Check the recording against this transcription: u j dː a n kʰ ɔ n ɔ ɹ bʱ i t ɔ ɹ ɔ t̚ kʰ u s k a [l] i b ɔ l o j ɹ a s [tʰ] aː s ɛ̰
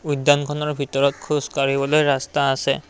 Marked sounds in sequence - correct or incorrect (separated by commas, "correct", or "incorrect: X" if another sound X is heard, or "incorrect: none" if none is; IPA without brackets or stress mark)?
incorrect: ɹ, incorrect: t